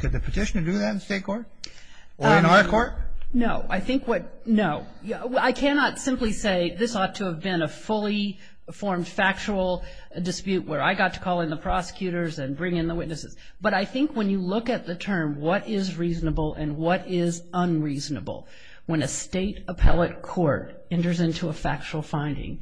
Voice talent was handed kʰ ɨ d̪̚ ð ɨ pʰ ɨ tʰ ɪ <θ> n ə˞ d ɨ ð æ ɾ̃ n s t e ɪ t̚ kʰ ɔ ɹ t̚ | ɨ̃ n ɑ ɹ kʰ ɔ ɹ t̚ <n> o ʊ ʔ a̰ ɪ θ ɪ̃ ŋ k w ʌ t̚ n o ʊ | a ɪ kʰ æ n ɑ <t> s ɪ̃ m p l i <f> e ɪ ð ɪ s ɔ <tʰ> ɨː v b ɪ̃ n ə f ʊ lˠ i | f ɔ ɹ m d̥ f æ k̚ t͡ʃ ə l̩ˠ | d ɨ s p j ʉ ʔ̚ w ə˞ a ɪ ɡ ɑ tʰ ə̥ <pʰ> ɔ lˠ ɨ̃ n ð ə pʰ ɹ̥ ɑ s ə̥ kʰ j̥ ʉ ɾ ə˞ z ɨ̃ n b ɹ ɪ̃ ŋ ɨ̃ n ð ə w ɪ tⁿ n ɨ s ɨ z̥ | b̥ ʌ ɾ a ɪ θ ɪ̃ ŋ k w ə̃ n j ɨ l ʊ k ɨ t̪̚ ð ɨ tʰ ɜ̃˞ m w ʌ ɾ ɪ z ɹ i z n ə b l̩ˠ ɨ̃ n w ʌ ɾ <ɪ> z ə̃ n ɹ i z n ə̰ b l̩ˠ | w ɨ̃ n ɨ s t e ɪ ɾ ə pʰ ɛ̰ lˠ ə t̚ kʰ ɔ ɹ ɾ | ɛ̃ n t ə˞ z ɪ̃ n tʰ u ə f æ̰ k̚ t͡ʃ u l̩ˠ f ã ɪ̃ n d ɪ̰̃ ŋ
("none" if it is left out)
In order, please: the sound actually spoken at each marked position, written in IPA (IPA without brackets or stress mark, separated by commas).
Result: ʃ, n, t, s, tʰ, kʰ, ɪ